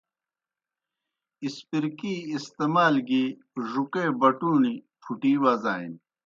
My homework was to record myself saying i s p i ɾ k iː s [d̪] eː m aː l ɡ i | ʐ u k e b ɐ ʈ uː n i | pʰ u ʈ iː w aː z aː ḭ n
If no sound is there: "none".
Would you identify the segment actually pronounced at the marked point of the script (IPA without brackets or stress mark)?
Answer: t̪